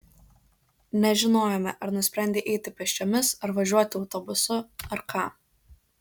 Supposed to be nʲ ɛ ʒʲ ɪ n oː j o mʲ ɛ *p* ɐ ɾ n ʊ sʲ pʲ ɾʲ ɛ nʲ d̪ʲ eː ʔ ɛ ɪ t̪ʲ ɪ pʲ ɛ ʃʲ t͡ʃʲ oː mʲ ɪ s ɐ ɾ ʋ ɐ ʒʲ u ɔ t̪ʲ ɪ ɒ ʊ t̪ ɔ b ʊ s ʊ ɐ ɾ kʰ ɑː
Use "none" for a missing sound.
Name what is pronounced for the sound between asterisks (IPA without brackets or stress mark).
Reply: ʔ